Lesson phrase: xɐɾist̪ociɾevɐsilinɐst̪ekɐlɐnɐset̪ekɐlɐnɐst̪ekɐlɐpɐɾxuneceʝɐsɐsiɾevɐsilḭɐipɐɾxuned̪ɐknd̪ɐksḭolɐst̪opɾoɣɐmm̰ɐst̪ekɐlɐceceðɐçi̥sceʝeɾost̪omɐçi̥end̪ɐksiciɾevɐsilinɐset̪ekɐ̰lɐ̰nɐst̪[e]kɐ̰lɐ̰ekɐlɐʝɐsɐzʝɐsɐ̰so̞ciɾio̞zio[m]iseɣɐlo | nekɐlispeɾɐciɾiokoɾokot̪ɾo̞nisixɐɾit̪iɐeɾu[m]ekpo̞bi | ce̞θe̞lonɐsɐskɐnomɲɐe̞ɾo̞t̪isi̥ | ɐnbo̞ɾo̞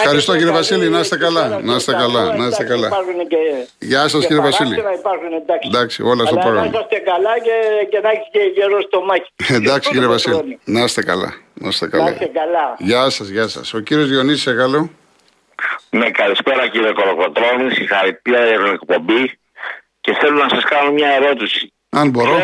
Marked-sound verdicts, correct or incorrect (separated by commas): correct, incorrect, incorrect